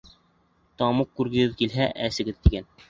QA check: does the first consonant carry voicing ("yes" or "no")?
no